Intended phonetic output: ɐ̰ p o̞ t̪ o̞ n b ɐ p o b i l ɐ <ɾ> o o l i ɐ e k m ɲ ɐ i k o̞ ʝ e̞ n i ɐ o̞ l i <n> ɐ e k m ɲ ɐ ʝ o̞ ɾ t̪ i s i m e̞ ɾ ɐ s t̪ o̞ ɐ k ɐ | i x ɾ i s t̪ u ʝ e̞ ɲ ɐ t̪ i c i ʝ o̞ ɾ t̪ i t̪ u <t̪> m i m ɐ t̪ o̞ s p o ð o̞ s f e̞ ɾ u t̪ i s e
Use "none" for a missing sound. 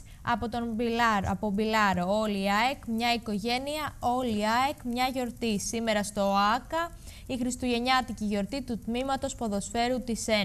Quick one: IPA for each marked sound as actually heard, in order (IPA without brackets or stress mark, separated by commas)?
ɾ, none, t̪